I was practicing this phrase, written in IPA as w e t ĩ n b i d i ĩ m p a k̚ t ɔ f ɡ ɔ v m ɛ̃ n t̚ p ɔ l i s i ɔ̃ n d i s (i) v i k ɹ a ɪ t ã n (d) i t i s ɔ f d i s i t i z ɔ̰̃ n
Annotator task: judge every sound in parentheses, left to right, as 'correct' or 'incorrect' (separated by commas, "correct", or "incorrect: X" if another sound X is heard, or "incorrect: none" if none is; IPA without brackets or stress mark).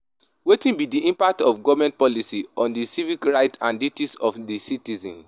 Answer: correct, correct